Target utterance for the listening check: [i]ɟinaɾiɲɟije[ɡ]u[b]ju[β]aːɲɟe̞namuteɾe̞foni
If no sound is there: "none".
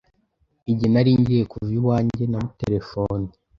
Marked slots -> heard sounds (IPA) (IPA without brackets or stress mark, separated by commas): i, k, v, w